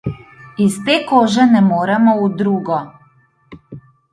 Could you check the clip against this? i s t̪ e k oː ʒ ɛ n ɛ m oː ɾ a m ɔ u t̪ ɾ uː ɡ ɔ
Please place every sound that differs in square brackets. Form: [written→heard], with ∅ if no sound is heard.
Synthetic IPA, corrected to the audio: i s t̪ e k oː ʒ ɛ n ɛ m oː ɾ [a→ɛ] m ɔ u [t̪→d̪] ɾ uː ɡ ɔ